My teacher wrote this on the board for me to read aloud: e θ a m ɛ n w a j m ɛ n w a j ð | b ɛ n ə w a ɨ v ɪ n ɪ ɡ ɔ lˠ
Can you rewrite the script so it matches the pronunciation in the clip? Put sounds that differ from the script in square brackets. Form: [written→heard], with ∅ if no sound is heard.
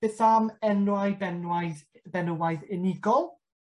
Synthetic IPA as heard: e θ a m ɛ n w a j [m→b] ɛ n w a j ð | b ɛ n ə w a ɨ [v→ð] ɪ n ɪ ɡ ɔ lˠ